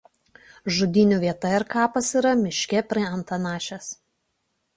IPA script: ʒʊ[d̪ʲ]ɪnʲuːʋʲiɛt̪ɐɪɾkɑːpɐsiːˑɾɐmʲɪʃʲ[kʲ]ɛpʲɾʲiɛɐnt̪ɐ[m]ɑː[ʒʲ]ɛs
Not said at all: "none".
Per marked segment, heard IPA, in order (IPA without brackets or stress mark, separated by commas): d̪ʲ, kʲ, n, ʃʲ